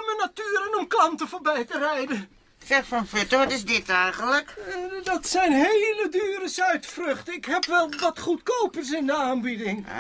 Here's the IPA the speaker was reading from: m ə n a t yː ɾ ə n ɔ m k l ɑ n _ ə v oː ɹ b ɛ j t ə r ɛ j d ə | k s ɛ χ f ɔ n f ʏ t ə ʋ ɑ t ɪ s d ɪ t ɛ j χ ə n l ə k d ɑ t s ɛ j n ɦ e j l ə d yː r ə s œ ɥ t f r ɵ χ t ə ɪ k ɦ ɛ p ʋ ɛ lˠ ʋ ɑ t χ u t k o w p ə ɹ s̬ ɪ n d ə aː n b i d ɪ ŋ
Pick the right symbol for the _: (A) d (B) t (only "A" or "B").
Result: B